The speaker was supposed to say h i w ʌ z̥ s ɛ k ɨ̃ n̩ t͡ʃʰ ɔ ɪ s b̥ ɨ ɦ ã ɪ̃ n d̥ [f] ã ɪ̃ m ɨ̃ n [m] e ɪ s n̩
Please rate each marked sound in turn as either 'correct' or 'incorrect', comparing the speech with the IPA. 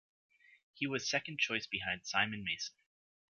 incorrect, correct

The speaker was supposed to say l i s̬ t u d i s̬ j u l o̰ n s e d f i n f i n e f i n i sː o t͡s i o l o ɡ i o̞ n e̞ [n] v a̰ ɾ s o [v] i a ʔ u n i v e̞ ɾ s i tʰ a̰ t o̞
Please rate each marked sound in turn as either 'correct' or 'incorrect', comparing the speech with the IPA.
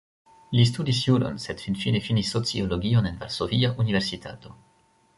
correct, correct

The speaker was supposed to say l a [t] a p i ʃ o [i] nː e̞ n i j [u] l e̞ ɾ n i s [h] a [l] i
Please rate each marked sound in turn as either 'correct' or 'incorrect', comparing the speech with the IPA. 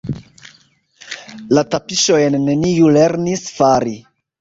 correct, incorrect, correct, incorrect, incorrect

